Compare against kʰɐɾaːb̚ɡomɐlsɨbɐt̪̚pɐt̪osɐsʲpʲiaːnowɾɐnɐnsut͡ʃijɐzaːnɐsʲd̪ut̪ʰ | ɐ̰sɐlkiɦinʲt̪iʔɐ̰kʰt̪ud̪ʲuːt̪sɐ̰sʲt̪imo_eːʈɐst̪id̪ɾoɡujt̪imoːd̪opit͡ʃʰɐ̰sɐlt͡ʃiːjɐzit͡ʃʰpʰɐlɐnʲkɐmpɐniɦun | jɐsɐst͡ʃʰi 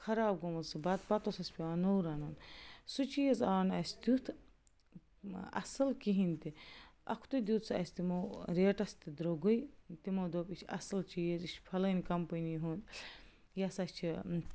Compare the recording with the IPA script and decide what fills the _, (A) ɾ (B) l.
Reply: A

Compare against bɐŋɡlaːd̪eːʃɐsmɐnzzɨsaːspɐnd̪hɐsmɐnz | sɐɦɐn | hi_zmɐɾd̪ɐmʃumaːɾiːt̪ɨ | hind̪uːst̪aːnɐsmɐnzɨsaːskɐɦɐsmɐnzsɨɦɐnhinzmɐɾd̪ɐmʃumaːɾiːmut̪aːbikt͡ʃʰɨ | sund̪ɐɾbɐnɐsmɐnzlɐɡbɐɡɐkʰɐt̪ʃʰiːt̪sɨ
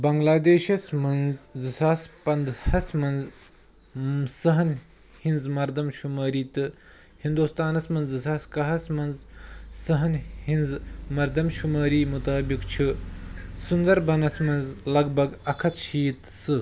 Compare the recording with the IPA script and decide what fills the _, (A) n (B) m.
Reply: A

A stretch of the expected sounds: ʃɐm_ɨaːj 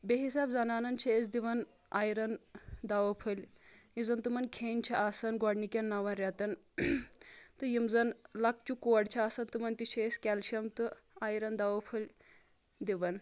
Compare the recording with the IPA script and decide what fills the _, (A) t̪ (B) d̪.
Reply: A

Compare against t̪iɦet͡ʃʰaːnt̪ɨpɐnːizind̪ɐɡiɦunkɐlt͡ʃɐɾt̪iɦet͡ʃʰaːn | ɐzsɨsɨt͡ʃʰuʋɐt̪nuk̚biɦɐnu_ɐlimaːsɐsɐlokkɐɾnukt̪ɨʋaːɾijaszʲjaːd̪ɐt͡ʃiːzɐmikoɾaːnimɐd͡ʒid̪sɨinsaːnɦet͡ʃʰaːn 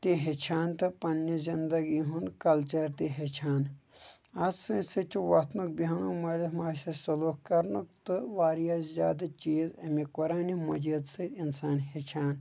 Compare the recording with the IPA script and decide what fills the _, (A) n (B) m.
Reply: B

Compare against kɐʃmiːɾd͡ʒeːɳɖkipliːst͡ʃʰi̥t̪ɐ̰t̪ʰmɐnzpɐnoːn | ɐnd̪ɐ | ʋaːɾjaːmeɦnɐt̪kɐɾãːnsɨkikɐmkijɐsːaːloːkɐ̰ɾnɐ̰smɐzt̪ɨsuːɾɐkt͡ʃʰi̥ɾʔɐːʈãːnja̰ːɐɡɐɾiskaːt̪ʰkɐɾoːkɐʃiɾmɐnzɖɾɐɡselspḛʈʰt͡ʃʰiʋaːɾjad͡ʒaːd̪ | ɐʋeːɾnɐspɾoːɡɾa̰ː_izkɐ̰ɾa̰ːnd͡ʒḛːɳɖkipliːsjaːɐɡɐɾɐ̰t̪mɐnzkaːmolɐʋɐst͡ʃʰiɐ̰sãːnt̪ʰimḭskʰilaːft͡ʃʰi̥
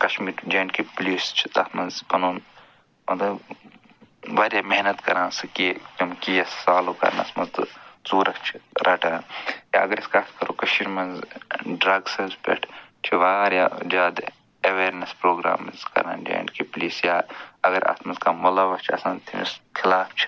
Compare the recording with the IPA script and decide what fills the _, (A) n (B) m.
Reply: B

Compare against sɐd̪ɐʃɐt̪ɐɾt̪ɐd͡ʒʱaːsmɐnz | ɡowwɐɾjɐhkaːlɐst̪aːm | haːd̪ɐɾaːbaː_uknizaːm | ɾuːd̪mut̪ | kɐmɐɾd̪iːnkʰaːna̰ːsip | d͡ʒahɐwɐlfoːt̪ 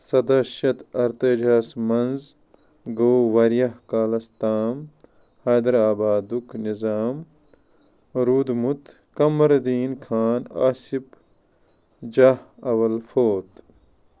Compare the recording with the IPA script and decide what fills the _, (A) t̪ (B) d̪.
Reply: B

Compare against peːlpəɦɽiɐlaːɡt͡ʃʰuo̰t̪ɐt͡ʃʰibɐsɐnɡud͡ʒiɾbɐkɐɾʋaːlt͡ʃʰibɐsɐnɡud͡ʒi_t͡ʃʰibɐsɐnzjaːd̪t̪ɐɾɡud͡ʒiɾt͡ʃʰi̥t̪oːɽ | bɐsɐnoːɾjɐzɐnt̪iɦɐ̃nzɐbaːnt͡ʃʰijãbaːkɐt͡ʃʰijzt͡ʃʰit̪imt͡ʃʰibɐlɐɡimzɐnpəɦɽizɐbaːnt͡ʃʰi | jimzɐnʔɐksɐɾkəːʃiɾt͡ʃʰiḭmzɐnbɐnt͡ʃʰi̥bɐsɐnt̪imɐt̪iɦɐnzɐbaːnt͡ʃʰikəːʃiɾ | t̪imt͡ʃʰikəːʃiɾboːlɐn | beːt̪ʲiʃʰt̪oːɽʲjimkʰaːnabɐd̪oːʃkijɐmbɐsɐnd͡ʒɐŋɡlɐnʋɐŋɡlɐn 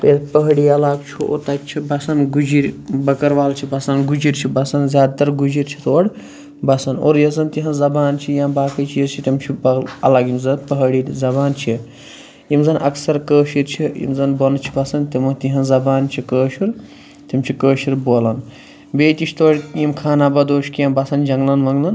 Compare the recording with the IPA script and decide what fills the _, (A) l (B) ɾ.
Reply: B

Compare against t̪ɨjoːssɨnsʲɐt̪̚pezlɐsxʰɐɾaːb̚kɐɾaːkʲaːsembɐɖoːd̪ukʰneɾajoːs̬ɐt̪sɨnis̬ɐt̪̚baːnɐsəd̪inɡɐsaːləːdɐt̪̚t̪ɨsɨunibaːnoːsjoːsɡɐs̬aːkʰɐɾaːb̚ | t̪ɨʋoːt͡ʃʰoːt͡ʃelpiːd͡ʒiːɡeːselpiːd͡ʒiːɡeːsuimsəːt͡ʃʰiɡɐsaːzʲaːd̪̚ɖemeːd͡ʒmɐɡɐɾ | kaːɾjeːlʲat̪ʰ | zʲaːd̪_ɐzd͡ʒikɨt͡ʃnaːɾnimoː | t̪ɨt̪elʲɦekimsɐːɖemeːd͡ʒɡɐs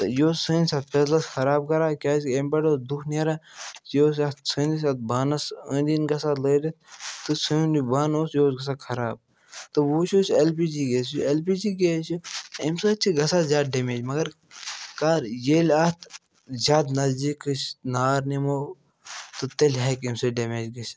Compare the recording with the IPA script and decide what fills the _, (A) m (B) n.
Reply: B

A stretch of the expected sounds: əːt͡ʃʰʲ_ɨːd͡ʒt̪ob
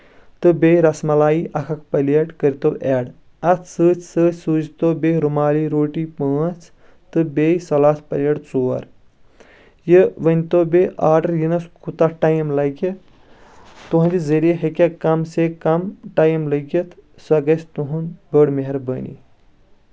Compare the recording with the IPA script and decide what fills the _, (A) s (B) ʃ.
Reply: A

